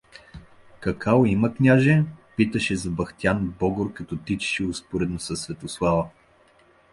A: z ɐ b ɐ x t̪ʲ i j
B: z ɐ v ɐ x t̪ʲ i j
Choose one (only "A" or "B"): A